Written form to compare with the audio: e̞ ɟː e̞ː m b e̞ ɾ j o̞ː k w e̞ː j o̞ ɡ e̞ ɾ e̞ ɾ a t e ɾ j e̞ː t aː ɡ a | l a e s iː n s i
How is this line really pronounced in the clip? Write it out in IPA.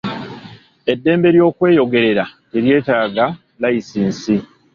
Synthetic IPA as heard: e̞ dː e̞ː m b e̞ ɾ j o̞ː k w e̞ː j o̞ ɡ e̞ ɾ e̞ ɾ a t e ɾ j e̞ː t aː ɡ a | l a i s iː n s i